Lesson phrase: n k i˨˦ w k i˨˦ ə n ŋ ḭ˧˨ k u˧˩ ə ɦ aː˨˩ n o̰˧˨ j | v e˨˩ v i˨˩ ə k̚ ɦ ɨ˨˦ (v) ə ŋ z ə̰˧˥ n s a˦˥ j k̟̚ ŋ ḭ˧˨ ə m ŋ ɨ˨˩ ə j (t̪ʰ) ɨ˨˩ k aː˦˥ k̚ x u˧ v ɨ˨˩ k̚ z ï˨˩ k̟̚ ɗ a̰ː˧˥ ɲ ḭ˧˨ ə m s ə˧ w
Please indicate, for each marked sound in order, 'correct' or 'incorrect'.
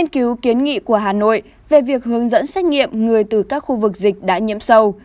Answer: incorrect, incorrect

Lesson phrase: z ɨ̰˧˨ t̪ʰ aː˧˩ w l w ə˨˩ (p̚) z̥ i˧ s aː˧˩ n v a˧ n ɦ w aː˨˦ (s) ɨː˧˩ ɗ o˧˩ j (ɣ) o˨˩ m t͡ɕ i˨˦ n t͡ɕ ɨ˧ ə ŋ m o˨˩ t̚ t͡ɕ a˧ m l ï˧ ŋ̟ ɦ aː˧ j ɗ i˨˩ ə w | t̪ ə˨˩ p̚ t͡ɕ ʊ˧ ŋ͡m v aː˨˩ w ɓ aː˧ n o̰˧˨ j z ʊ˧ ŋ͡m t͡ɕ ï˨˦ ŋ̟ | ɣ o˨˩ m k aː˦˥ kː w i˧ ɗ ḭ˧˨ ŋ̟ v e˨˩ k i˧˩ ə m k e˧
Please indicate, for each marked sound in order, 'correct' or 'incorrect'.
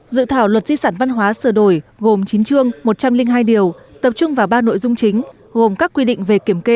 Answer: incorrect, correct, correct

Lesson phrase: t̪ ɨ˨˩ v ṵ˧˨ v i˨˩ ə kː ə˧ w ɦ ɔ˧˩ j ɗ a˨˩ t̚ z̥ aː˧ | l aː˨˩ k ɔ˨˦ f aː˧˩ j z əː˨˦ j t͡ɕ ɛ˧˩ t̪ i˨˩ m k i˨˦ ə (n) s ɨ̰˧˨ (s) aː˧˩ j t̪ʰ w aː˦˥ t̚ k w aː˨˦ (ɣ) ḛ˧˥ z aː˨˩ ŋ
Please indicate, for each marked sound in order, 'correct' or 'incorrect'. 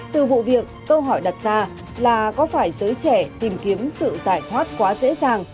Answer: incorrect, incorrect, incorrect

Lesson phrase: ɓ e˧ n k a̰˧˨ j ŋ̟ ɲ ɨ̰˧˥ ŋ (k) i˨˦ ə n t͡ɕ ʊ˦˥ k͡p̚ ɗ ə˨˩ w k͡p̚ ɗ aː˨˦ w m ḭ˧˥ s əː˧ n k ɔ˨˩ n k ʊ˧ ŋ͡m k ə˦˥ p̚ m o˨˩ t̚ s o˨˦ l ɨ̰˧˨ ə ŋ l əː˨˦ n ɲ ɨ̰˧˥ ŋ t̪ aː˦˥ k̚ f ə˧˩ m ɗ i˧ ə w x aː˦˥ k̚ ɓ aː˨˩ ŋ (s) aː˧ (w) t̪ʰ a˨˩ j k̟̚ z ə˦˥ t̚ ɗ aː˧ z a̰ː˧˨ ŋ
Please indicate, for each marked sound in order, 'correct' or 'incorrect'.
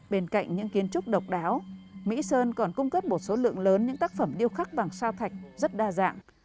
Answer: correct, correct, correct

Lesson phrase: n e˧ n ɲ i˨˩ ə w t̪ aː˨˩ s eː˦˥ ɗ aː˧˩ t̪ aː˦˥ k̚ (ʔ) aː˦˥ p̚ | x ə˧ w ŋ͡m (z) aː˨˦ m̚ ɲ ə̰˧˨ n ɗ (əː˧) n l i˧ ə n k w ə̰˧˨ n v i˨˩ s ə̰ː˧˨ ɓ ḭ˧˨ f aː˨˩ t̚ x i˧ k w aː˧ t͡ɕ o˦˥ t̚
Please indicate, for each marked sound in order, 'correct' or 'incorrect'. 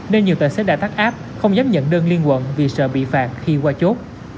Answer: correct, correct, correct

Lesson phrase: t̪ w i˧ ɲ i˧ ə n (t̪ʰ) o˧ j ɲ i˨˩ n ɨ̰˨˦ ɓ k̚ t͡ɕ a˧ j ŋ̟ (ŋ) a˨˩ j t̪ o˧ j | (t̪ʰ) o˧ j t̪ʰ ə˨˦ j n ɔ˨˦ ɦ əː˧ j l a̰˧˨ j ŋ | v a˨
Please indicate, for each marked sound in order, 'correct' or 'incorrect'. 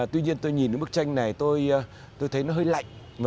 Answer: incorrect, incorrect, incorrect

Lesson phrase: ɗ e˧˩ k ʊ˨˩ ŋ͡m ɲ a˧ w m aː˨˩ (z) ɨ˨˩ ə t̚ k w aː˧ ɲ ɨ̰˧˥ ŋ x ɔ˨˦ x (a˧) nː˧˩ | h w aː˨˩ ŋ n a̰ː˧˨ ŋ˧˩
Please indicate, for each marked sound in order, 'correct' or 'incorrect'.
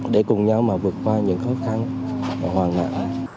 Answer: incorrect, correct

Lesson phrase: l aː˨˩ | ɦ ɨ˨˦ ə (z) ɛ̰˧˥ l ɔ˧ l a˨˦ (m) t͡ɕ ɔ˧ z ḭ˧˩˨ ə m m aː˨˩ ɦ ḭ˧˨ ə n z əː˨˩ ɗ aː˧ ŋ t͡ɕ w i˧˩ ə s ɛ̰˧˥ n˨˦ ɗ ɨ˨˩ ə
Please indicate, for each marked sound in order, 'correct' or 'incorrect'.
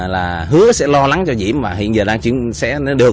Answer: incorrect, incorrect

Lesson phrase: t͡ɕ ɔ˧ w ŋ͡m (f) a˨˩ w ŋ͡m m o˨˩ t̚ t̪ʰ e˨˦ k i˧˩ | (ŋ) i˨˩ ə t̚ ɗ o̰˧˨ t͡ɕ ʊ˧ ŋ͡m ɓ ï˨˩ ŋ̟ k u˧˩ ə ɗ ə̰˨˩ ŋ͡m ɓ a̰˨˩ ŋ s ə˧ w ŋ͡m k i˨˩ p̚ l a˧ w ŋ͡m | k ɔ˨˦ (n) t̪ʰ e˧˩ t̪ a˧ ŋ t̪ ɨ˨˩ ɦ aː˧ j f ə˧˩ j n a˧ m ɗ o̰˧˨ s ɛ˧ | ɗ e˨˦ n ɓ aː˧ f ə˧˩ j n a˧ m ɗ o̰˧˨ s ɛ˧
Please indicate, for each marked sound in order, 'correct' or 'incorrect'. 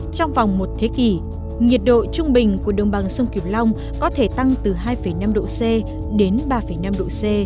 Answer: incorrect, correct, incorrect

